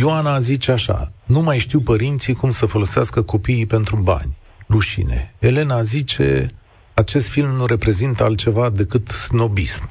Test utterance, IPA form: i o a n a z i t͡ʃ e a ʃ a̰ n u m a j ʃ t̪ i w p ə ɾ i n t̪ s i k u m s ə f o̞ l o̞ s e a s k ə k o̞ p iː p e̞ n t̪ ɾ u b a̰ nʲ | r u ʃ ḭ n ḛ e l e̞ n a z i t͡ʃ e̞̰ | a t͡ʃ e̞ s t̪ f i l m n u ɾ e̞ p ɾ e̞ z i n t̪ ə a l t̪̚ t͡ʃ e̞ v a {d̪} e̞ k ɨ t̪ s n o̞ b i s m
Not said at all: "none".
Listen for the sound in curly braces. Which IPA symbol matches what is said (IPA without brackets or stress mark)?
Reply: d̪